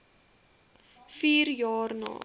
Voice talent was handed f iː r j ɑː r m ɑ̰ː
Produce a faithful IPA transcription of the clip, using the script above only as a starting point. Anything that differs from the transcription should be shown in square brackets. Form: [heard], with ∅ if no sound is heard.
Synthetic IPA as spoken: f iː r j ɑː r [n] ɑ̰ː